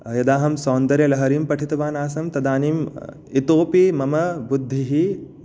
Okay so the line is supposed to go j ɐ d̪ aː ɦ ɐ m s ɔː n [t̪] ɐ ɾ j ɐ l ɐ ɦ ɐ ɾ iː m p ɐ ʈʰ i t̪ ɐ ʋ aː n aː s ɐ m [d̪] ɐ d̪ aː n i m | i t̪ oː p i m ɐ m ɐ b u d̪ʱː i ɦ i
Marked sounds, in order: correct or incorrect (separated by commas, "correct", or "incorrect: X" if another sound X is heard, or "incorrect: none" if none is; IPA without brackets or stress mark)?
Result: incorrect: d̪, incorrect: t̪